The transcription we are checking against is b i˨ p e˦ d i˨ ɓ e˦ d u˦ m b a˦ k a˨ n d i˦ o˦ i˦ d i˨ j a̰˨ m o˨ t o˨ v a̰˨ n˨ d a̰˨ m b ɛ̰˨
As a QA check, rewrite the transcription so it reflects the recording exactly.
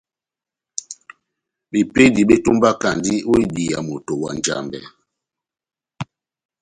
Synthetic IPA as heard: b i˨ p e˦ d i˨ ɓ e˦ t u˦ m b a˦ k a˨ n d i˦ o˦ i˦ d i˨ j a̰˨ m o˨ t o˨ w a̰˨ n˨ d͡ʒ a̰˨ m b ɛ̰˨